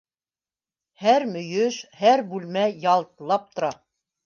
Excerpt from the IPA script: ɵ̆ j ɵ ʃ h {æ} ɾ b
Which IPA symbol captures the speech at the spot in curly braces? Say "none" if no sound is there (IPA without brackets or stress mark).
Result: æ